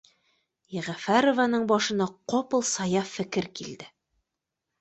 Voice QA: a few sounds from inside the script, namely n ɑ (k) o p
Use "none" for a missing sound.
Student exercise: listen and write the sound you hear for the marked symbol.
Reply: q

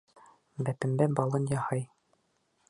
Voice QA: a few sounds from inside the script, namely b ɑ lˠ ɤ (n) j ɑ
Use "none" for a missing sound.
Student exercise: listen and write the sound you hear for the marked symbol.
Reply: n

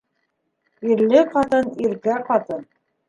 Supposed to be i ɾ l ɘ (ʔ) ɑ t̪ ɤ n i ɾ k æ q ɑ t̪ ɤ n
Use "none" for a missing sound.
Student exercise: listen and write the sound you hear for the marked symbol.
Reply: q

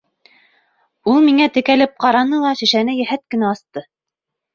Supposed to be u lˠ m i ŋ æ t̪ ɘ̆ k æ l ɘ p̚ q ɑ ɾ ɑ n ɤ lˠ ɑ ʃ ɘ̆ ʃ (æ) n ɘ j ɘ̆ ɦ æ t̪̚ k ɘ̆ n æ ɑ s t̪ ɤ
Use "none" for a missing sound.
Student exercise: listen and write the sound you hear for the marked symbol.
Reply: æ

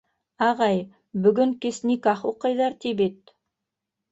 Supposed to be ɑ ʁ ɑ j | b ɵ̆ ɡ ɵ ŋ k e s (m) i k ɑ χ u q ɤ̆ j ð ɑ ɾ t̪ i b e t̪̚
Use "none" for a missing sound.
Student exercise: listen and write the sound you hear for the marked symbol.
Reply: n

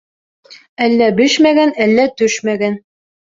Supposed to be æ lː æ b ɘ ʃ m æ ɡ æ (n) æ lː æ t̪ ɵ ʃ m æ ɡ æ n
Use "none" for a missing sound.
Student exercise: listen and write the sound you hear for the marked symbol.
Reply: n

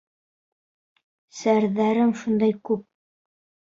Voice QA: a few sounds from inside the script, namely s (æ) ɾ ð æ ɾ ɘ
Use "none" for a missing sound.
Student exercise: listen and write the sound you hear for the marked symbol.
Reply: æ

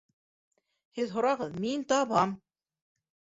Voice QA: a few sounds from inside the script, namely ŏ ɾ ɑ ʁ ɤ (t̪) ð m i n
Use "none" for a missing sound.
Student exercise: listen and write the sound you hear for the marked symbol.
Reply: none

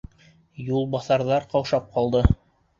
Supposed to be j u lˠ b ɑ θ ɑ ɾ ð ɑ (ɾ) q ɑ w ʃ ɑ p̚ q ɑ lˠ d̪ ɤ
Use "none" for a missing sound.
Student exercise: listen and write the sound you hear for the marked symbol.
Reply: ɾ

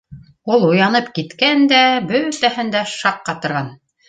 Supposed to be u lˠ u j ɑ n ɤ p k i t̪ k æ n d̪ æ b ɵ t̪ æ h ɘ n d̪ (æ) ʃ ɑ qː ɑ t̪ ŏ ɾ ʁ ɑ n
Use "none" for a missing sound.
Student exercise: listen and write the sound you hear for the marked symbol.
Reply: æ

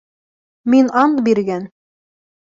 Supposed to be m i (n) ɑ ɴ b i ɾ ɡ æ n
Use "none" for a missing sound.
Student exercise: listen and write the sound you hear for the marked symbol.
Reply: n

